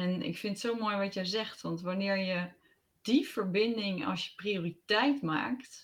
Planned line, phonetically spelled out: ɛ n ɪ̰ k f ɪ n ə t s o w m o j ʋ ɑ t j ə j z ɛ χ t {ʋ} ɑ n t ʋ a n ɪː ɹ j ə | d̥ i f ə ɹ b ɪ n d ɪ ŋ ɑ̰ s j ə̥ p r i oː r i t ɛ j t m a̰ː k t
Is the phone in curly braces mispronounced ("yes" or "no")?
no